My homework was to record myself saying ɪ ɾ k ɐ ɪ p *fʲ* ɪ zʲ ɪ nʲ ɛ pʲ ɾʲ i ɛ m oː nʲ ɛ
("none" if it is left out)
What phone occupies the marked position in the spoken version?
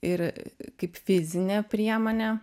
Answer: fʲ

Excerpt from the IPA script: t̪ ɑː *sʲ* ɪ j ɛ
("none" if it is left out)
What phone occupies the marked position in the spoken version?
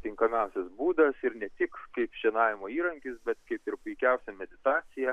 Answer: sʲ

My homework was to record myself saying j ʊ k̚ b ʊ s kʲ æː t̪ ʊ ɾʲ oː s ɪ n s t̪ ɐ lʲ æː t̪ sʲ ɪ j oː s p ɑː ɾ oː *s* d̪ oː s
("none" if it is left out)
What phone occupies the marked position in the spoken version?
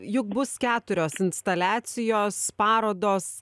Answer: none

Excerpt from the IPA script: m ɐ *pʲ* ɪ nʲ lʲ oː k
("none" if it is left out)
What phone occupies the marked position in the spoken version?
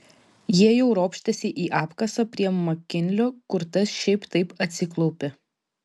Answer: kʲ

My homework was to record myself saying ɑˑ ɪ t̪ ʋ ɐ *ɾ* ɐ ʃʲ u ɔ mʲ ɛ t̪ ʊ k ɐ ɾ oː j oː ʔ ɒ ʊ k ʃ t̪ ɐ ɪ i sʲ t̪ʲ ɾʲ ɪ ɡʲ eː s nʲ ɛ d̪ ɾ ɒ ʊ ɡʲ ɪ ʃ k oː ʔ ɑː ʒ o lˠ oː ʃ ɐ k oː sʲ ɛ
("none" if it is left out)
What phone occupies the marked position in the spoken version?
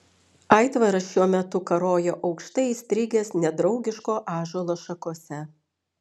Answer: ɾ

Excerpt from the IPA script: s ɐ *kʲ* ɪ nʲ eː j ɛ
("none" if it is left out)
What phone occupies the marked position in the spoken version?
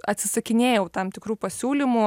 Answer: kʲ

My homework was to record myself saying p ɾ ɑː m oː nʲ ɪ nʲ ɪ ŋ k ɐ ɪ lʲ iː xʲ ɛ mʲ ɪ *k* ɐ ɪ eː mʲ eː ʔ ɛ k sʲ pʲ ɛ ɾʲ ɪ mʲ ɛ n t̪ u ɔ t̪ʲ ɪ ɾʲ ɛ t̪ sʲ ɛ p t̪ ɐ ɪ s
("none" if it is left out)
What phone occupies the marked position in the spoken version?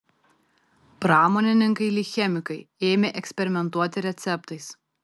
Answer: k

